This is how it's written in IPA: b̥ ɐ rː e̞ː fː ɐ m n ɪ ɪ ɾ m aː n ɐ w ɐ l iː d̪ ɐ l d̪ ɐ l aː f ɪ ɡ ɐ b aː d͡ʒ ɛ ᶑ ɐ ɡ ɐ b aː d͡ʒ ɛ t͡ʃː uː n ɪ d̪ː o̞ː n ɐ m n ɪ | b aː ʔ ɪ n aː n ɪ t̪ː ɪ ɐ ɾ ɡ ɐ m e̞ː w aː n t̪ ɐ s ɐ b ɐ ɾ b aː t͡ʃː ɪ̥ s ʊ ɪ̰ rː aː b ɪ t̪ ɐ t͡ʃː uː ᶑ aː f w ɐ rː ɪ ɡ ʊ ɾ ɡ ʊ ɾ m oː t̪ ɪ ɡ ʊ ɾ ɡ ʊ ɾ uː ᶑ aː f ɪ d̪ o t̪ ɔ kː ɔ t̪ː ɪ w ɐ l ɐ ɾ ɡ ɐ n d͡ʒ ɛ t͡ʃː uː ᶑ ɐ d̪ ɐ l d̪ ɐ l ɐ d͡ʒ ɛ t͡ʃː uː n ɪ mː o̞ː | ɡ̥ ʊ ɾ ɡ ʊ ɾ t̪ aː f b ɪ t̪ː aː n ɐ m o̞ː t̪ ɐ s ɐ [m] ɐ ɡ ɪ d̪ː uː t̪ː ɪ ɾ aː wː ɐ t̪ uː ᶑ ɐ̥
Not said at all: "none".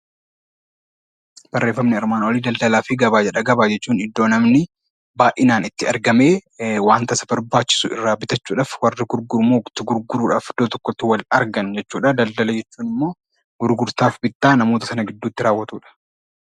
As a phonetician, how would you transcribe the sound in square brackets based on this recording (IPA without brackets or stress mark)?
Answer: n